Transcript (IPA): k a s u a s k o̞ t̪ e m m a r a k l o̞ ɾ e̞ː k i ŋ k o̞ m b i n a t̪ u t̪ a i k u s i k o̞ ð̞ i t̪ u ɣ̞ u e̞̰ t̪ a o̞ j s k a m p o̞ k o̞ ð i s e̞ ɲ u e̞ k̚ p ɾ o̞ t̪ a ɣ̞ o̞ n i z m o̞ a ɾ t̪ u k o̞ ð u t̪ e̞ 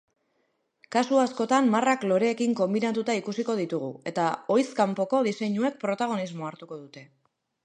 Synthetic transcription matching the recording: k a s u a s k o̞ t̪ a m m a r a k l o̞ ɾ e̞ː k i ŋ k o̞ m b i n a t̪ u t̪ a i k u s i k o̞ ð̞ i t̪ u ɣ̞ u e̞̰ t̪ a o̞ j s k a m p o̞ k o̞ ð i s e̞ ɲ u e̞ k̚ p ɾ o̞ t̪ a ɣ̞ o̞ n i z m o̞ a ɾ t̪ u k o̞ ð u t̪ e̞